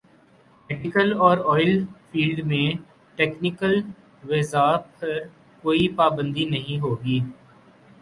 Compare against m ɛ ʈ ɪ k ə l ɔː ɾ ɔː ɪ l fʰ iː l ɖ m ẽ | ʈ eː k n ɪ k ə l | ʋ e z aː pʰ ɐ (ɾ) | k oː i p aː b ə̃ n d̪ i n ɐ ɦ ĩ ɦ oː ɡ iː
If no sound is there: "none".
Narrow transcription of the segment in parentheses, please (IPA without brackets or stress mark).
ɾ